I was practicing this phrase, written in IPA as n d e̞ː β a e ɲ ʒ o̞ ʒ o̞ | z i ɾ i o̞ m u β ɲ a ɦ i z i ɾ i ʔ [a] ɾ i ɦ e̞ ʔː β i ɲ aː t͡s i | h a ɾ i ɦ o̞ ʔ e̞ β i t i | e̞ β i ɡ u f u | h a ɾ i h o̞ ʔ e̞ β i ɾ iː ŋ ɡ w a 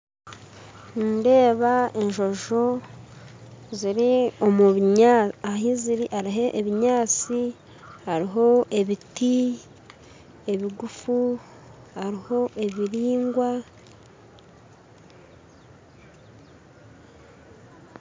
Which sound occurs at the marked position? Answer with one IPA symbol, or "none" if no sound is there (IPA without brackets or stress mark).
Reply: a